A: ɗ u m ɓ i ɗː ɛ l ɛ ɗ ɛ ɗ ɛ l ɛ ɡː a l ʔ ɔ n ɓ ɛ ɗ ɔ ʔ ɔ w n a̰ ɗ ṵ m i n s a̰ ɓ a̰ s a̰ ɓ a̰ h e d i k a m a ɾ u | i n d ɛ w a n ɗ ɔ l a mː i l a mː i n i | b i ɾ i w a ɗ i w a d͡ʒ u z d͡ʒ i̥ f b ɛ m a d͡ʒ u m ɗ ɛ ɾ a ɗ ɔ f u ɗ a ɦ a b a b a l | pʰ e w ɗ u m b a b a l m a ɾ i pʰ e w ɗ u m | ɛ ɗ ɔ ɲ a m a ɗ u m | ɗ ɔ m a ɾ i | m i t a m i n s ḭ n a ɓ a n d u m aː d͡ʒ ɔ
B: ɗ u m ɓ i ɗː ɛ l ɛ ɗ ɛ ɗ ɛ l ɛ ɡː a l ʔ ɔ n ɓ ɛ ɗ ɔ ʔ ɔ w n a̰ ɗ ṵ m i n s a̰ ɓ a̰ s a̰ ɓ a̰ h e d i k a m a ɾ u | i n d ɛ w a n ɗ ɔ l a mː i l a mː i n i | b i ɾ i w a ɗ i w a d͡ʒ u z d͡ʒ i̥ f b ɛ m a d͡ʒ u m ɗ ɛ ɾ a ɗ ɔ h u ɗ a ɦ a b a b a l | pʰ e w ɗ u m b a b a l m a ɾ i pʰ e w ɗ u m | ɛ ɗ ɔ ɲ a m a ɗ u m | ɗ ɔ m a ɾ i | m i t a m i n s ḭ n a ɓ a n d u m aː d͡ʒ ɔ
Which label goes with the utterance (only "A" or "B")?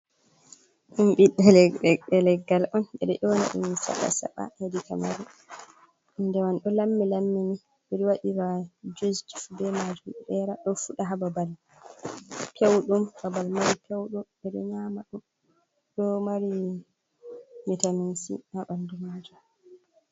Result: A